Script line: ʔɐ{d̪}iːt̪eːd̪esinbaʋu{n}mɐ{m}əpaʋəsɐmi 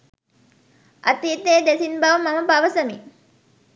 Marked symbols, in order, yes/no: no, no, yes

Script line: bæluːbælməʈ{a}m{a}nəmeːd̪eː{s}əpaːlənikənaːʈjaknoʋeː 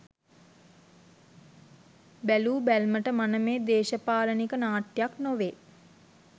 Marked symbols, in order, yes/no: no, yes, no

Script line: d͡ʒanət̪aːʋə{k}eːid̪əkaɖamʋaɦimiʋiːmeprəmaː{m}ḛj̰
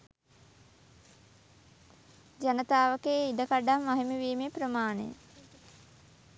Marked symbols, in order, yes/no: yes, no

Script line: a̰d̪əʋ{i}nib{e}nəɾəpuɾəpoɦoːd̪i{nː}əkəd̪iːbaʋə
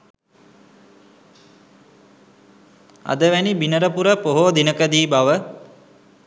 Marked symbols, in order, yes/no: no, no, no

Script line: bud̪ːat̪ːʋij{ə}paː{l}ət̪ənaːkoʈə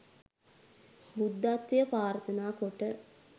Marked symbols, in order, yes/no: yes, no

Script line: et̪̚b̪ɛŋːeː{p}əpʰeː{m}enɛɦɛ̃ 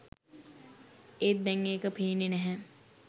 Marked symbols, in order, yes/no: no, no

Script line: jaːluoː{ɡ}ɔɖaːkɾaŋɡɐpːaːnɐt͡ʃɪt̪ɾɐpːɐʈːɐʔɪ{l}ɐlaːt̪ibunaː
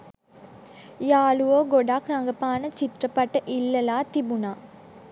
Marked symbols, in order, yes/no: yes, no

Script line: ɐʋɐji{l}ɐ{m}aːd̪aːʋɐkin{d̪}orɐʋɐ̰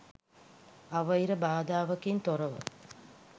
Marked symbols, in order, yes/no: no, no, no

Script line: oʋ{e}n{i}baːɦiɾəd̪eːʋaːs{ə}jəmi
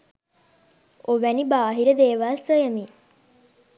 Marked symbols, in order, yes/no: no, yes, yes

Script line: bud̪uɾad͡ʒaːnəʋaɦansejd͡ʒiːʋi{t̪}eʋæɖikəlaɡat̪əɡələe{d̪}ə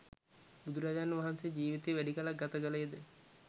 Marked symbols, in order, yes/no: yes, yes

